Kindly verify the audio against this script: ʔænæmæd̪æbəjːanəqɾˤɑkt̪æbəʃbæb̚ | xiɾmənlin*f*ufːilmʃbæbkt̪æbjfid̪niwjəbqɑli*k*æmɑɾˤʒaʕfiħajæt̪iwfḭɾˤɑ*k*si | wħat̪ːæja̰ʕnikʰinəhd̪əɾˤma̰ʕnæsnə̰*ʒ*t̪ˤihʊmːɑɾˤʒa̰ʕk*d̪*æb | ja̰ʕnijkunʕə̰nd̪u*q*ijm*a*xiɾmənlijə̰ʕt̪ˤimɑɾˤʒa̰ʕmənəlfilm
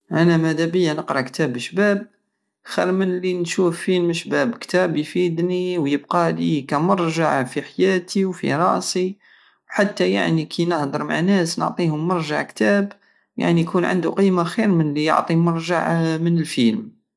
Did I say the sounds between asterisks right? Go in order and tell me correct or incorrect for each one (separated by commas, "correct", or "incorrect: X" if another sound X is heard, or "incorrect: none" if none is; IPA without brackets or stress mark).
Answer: incorrect: ʃ, correct, incorrect: ʔ, incorrect: ʕ, incorrect: t̪, correct, correct